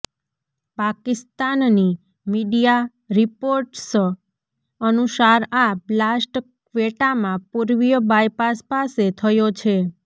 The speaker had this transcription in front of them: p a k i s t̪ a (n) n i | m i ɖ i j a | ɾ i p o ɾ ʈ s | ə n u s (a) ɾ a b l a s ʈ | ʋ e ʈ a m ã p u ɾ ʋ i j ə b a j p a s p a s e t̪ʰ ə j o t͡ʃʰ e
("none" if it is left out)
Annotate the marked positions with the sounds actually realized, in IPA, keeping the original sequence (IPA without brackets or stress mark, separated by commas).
n, a